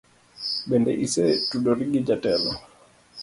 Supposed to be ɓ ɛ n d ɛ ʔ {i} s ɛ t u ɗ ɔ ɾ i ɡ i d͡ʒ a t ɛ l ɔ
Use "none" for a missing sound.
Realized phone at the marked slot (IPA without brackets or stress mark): i